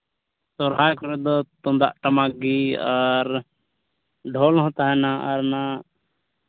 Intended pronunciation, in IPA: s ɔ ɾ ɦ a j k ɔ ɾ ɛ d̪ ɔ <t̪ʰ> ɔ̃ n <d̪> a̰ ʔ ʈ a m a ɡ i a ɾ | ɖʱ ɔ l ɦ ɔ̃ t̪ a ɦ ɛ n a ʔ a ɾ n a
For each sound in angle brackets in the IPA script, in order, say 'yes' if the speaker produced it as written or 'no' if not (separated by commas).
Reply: no, yes